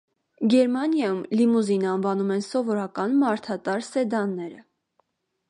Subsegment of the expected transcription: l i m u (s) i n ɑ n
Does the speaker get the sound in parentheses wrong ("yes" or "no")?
yes